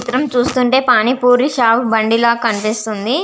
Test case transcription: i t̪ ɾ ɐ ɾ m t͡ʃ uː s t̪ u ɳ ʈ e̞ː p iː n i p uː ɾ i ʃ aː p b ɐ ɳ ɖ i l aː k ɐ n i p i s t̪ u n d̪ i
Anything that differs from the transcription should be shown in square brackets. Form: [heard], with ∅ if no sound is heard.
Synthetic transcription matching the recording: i t̪ ɾ ɐ [∅] m t͡ʃ uː s t̪ u ɳ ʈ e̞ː p [aː] n i p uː ɾ i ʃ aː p b ɐ ɳ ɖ i l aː k ɐ n i p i s t̪ u n d̪ i